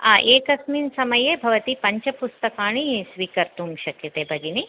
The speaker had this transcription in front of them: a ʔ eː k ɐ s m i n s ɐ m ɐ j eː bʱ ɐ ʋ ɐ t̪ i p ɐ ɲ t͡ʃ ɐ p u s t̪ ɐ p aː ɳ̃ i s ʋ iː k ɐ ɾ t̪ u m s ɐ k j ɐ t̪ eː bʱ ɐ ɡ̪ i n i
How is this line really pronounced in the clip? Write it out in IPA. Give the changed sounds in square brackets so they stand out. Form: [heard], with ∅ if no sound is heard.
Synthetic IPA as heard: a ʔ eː k ɐ s m i n s ɐ m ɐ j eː bʱ ɐ ʋ ɐ t̪ i p ɐ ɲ t͡ʃ ɐ p u s t̪ ɐ [k] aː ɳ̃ i s ʋ iː k ɐ ɾ t̪ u m [ʃ] ɐ k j ɐ t̪ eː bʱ ɐ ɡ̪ i n i